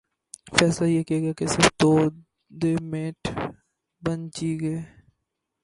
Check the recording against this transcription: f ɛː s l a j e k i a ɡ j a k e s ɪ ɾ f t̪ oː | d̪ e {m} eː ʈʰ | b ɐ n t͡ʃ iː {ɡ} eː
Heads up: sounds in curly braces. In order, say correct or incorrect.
correct, correct

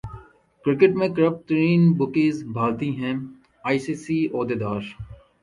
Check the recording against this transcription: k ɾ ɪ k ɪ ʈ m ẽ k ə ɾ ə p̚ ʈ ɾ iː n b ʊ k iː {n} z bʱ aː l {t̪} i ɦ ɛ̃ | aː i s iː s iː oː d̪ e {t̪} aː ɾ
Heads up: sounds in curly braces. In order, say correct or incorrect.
incorrect: none, correct, incorrect: d̪

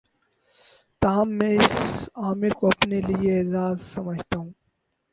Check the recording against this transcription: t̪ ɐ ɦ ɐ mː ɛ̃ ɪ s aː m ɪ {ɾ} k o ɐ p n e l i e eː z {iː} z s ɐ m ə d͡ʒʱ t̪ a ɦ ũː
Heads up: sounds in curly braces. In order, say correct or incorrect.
correct, incorrect: aː

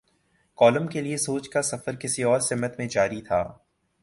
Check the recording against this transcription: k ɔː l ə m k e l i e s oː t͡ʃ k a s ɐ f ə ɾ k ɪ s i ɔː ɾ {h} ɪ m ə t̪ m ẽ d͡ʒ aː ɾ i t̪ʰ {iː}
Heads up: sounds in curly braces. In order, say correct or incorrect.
incorrect: s, incorrect: aː

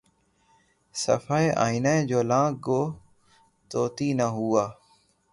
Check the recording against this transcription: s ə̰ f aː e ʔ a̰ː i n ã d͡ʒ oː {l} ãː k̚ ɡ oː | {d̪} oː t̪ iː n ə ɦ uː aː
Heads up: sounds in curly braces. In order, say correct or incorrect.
correct, incorrect: t̪

